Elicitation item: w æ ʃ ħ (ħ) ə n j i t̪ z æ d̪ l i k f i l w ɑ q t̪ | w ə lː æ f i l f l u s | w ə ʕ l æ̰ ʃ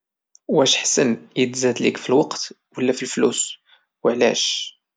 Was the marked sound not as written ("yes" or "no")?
yes